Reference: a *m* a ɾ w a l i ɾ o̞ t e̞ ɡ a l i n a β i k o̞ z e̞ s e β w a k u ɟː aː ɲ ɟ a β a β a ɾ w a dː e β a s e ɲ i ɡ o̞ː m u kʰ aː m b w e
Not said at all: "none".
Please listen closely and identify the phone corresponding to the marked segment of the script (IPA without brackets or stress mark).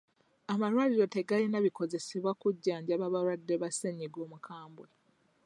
m